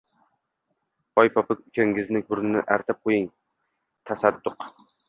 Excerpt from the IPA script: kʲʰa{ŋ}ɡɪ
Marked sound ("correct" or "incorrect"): correct